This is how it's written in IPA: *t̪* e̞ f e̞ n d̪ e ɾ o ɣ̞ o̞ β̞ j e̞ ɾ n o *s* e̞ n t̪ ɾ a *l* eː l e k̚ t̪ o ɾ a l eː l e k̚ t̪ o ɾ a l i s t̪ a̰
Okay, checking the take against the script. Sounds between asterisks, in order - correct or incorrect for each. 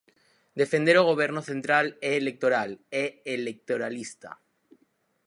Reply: incorrect: d̪, incorrect: θ, correct

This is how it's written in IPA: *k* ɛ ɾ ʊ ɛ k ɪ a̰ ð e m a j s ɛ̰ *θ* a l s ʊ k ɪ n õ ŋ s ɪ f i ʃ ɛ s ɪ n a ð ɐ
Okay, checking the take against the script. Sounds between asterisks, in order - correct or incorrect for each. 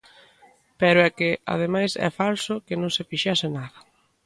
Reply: incorrect: p, incorrect: f

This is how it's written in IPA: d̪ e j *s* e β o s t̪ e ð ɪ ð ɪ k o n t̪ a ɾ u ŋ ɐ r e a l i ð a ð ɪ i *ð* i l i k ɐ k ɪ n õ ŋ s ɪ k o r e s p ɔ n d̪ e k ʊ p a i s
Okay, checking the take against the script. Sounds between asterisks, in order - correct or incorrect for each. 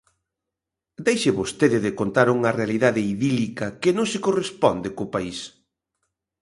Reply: incorrect: ʃ, correct

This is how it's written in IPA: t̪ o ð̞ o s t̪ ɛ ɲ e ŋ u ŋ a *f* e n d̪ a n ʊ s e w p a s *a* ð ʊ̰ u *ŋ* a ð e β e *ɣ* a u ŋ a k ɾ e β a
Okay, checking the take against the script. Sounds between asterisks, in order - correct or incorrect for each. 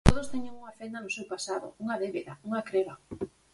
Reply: correct, correct, correct, incorrect: ð

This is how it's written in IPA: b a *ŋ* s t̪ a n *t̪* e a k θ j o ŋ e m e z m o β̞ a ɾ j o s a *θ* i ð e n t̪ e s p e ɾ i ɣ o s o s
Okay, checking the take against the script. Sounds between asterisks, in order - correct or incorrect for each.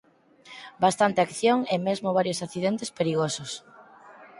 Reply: incorrect: none, correct, correct

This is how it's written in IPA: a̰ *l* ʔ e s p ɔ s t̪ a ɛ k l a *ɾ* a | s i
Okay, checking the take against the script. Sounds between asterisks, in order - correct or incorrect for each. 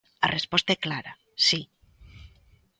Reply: incorrect: r, correct

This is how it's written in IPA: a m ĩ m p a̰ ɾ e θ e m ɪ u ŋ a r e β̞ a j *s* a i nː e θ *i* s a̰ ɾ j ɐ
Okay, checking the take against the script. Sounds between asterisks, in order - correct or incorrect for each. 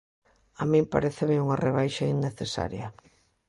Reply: incorrect: ʃ, incorrect: e

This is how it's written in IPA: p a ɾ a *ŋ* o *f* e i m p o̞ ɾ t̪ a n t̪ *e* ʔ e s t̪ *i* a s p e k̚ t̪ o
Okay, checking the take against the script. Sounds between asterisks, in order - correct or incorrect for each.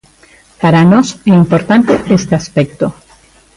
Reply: incorrect: n, incorrect: s, correct, incorrect: e

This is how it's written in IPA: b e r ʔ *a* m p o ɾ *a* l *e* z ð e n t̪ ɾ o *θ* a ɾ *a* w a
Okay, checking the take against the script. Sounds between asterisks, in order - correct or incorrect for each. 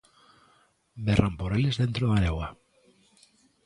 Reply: correct, incorrect: e, correct, incorrect: ð, incorrect: e

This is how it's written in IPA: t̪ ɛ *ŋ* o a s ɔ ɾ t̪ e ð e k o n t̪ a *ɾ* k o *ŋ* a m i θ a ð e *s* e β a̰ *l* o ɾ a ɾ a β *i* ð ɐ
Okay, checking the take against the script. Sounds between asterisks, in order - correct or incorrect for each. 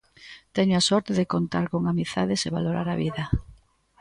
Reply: incorrect: ɲ, correct, correct, correct, correct, correct

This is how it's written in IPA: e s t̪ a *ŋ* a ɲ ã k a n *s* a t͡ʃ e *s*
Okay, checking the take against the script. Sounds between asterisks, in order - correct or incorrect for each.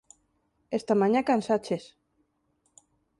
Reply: incorrect: m, correct, correct

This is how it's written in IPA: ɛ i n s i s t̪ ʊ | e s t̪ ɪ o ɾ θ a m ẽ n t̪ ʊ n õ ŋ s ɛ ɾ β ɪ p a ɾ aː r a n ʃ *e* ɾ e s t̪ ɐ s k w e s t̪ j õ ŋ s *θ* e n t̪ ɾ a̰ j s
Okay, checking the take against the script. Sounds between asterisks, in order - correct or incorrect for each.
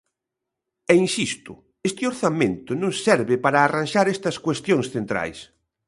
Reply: incorrect: a, correct

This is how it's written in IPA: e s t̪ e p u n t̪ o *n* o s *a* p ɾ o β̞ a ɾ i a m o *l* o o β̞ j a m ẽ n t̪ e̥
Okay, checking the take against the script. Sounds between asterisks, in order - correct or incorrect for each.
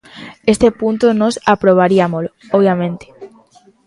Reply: correct, correct, correct

